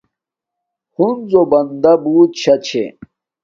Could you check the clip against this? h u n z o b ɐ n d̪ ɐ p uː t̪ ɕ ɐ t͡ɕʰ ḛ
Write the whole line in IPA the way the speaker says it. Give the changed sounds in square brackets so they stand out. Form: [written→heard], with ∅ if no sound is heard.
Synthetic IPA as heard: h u n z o b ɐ n d̪ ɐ [p→b] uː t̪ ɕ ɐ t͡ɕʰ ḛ